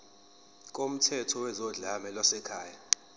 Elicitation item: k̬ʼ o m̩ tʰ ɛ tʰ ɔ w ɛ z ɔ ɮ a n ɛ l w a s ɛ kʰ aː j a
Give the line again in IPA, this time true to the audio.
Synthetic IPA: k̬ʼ o m̩ tʰ ɛ tʰ ɔ w ɛ z ɔ ɮ a m ɛ l w a s ɛ kʰ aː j a